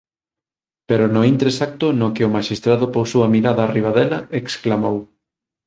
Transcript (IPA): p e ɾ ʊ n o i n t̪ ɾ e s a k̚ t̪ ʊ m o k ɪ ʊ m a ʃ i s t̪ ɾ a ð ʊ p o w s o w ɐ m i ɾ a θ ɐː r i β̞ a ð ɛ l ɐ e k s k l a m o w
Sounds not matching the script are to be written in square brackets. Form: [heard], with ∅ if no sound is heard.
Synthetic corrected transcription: p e ɾ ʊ n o i n t̪ ɾ e s a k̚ t̪ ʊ [n] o k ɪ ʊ m a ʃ i s t̪ ɾ a ð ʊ p o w s o w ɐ m i ɾ a [ð] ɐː r i β̞ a ð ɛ l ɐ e k s k l a m o w